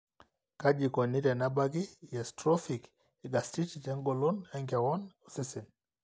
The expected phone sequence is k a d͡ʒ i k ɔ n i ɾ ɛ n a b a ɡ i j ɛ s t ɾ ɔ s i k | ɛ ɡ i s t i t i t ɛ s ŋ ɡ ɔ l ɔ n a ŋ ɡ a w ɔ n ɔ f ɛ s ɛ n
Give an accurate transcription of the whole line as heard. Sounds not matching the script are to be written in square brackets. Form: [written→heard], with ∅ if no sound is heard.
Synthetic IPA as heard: k a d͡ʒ i k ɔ n i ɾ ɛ n a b a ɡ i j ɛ s t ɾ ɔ [s→f] i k | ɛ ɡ [i→a] s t i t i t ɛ [s→∅] ŋ ɡ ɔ l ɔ n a ŋ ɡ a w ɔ n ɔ [f→s] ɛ s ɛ n